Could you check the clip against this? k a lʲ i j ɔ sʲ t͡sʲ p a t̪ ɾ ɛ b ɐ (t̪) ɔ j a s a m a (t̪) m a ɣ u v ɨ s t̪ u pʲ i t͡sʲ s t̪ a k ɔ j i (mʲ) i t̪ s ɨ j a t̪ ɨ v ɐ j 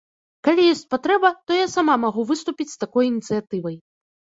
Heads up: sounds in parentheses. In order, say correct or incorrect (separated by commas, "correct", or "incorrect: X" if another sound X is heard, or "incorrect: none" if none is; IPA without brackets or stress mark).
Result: correct, incorrect: none, incorrect: nʲ